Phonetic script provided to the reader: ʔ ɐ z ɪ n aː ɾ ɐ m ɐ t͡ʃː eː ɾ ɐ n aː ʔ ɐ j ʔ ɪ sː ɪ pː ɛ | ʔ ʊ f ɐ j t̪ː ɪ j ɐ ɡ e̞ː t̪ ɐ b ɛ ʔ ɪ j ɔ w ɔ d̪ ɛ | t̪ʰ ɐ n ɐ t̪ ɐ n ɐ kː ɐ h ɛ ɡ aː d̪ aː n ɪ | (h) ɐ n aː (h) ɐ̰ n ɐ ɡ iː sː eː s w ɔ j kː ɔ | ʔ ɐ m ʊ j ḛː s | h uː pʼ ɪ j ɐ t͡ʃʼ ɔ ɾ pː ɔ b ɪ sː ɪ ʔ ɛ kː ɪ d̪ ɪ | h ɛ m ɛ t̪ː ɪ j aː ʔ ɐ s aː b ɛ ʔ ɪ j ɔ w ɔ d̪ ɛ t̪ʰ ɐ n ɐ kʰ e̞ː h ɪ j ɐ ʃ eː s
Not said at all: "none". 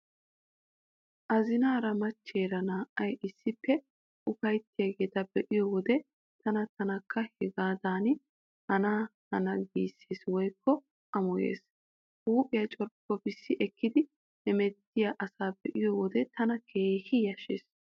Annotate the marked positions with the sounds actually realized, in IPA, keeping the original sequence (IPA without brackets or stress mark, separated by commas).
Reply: h, h